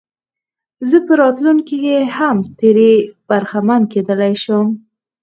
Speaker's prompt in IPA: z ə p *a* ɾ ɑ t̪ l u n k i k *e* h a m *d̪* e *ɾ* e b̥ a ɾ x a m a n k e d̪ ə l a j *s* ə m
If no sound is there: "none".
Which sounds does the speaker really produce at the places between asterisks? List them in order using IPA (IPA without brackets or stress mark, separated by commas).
ə, e, t̪, ɾ, ʃ